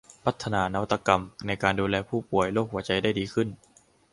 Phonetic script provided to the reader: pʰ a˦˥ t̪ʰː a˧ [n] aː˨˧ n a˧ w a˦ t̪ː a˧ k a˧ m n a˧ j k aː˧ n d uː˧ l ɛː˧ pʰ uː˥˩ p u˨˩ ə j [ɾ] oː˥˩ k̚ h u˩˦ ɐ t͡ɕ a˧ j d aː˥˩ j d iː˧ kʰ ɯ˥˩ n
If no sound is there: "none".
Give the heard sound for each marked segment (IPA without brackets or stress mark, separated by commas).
n, l